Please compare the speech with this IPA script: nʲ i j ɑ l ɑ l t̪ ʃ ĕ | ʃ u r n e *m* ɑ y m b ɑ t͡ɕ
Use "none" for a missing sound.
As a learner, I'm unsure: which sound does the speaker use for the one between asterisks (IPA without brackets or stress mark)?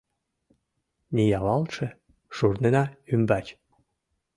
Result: n